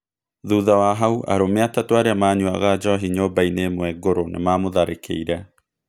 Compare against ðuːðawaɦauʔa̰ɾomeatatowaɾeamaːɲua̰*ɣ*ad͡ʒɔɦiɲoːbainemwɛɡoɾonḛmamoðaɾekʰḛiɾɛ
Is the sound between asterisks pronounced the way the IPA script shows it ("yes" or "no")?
yes